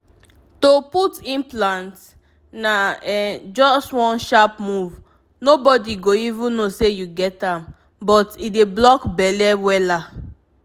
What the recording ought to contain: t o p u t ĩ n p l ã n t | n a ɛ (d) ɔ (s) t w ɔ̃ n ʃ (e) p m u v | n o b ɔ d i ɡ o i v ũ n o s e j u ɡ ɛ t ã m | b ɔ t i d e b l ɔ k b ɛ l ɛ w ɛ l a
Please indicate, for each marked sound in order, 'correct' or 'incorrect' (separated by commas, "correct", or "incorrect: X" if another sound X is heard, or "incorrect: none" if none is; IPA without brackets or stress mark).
incorrect: d͡ʒ, correct, incorrect: a